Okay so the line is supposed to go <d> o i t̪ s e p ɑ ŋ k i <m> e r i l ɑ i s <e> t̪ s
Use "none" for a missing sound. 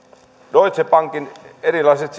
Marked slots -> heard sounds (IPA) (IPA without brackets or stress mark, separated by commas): d, n, e